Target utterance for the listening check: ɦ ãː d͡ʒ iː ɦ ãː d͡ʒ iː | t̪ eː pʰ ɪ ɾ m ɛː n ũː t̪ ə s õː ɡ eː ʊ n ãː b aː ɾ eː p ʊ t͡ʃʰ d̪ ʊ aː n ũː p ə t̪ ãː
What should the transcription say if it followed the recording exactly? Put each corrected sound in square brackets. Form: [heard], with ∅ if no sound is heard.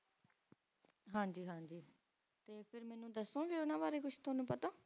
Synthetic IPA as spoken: ɦ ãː d͡ʒ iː ɦ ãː d͡ʒ iː | t̪ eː pʰ ɪ ɾ m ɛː n ũː [d̪] ə s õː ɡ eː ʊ n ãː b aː ɾ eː [k] ʊ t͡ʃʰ [t̪] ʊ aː n ũː p ə t̪ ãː